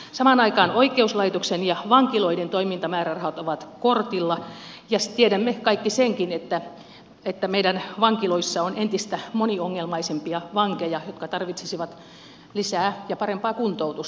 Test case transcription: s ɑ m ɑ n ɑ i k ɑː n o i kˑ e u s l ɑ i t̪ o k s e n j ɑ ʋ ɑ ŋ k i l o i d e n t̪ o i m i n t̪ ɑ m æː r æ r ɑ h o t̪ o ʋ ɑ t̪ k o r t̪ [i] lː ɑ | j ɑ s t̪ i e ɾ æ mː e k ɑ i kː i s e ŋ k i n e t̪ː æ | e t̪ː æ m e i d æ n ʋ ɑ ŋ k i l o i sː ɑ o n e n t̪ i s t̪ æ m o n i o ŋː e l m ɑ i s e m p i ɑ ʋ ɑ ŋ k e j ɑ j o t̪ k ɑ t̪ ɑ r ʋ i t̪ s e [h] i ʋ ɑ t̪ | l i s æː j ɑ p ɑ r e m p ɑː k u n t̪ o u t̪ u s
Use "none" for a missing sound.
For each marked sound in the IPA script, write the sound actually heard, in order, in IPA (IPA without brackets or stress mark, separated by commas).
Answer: i, s